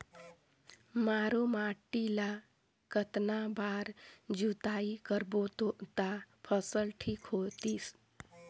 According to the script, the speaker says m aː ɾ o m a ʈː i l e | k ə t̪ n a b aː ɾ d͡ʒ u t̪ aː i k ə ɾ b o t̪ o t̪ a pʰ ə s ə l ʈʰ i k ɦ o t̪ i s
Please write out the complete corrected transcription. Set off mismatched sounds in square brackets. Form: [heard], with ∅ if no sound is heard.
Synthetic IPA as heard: m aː ɾ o m a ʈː i l [a] | k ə t̪ n a b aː ɾ d͡ʒ u t̪ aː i k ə ɾ b o t̪ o t̪ a pʰ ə s ə l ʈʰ i k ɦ o t̪ i s

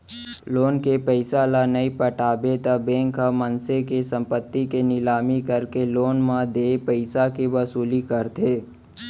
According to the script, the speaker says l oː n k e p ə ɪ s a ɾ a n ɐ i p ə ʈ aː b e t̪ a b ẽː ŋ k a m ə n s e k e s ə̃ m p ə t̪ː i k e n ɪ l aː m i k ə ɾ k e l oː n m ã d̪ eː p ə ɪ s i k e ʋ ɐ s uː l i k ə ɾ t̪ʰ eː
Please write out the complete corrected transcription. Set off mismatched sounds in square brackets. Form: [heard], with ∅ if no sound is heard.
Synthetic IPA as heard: l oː n k e p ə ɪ s a [l] a n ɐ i p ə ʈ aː b e t̪ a b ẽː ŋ k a m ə n s e k e s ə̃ m p ə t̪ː i k e n ɪ l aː m i k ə ɾ k e l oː n m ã d̪ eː p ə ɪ s [a] k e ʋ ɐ s uː l i k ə ɾ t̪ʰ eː

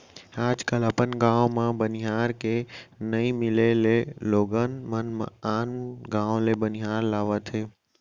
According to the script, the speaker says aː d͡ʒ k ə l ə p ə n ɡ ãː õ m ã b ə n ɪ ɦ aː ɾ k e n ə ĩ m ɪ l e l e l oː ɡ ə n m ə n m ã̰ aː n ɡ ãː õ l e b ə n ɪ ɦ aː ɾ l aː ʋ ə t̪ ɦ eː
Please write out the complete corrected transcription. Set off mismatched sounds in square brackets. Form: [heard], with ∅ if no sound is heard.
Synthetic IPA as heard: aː d͡ʒ k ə l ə p ə n ɡ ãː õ m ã b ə n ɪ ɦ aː ɾ k e n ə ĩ m ɪ l e l e l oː ɡ ə n m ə n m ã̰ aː n ɡ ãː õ l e b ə n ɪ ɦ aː ɾ l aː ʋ ə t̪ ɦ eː

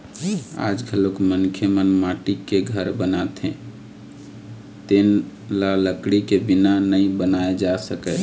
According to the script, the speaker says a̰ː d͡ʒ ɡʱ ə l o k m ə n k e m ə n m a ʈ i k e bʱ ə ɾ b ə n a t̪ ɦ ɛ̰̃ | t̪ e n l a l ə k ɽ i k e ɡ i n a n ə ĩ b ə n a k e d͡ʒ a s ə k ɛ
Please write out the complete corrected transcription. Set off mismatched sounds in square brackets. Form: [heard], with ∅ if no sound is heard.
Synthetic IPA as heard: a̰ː d͡ʒ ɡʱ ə l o k m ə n [kʰ] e m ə n m a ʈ i k e [ɡʱ] ə ɾ b ə n a t̪ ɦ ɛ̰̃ | t̪ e n l a l ə k ɽ i k e [b] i n a n ə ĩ b ə n a [∅] e d͡ʒ a s ə k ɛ

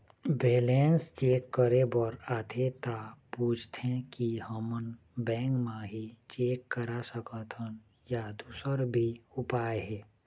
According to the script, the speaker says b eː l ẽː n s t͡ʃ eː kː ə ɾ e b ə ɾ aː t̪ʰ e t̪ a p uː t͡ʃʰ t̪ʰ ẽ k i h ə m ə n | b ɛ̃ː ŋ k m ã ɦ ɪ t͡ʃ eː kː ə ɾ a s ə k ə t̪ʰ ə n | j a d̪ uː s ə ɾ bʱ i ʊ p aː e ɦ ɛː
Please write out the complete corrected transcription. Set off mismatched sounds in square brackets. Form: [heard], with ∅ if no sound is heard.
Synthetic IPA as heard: b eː l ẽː n s t͡ʃ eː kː ə ɾ e b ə ɾ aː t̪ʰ e t̪ a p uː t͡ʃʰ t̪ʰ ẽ k i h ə m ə n | b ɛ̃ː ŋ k m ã ɦ [i] t͡ʃ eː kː ə ɾ a s ə k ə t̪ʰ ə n | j a d̪ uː s ə ɾ bʱ i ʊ p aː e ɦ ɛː

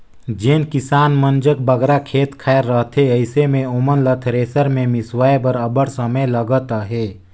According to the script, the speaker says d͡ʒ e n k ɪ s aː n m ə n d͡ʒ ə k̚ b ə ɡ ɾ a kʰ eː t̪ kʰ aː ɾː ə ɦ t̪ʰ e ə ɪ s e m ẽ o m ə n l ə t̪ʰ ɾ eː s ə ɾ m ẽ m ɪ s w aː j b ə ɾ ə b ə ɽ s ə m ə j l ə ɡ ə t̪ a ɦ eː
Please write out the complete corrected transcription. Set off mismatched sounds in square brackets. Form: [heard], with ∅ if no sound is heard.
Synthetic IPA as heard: d͡ʒ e n k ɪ s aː n m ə n d͡ʒ ə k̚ b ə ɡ ɾ a kʰ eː t̪ kʰ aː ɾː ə ɦ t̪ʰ e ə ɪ s e m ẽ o m ə n l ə t̪ʰ ɾ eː s ə ɾ m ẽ m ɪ s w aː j b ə ɾ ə b ə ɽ s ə m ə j l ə ɡ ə t̪ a ɦ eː

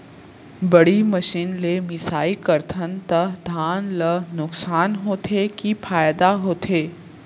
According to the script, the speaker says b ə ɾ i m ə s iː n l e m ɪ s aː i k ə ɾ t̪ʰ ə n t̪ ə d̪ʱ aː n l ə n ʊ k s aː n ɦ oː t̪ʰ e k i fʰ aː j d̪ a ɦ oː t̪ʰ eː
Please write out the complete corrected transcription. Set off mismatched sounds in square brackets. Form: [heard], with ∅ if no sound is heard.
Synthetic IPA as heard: b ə [ɽ] i m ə [ʃ] iː n l e m ɪ s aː i k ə ɾ t̪ʰ ə n t̪ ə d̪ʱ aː n l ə n ʊ k s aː n ɦ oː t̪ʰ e k i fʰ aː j d̪ a ɦ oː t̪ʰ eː

